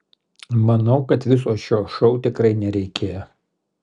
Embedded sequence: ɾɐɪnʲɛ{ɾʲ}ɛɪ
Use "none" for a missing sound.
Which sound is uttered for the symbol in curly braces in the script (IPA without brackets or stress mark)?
ɾʲ